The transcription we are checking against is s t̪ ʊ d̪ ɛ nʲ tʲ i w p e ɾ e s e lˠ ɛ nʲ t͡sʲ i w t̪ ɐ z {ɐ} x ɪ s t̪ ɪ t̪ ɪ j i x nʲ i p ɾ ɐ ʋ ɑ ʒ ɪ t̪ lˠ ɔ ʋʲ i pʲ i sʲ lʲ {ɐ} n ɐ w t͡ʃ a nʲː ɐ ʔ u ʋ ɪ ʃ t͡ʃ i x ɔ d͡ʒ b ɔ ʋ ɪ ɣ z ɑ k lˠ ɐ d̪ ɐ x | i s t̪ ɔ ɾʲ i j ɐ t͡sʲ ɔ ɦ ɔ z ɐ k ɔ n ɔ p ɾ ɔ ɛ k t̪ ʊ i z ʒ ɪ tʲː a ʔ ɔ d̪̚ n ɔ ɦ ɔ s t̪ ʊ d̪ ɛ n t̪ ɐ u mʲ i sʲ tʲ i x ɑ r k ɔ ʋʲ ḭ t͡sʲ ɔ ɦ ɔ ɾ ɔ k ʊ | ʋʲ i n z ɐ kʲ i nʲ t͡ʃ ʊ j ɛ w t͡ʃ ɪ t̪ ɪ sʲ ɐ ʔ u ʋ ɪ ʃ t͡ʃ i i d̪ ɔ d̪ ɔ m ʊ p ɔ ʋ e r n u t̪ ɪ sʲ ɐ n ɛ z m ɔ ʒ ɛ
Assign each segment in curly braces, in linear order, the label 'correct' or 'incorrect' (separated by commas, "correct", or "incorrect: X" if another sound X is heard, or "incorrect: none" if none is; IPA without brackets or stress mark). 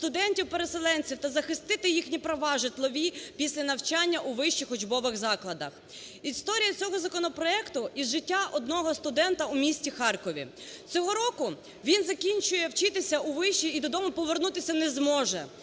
correct, correct